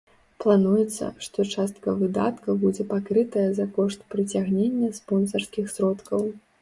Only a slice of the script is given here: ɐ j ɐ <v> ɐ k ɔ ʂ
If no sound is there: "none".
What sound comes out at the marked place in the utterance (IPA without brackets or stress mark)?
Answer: z